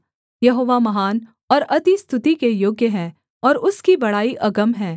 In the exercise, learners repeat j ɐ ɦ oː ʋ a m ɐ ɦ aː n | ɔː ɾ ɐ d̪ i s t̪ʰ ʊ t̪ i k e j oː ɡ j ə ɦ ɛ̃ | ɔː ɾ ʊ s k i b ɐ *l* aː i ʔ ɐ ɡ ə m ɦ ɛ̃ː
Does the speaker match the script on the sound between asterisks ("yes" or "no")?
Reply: no